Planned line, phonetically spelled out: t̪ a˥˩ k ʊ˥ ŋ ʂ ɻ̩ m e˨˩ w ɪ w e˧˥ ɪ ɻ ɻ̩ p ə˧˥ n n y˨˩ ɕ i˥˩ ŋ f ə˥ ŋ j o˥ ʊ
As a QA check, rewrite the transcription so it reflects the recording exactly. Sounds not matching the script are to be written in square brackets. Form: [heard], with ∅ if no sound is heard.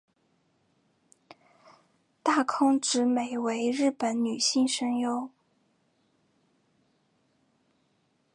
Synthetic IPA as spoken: t̪ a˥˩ [kʰ] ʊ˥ ŋ [ʈ͡ʂ] ɻ̩ m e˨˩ [∅] ɪ w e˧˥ ɪ ɻ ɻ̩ p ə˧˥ n n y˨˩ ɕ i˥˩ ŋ [ʂ] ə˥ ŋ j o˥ ʊ